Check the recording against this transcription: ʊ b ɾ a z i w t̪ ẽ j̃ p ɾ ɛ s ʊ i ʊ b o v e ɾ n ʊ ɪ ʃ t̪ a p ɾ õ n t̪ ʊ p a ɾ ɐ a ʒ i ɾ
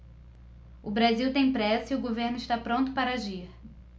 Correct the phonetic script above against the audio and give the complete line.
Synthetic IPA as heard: ʊ b ɾ a z i w t̪ ẽ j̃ p ɾ ɛ s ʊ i ʊ ɡ o v e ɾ n ʊ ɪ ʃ t̪ a p ɾ õ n t̪ ʊ p a ɾ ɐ a ʒ i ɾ